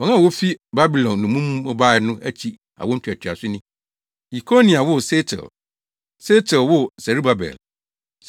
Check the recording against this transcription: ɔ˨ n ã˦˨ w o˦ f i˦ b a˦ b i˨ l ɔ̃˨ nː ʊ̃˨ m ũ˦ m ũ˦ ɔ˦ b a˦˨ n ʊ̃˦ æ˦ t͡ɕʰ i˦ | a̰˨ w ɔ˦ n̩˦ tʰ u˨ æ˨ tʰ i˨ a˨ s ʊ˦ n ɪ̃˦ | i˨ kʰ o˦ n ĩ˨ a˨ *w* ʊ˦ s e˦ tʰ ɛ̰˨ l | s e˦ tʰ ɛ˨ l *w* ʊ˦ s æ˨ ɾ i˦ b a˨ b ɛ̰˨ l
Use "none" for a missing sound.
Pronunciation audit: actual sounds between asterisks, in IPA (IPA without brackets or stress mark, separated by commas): w, w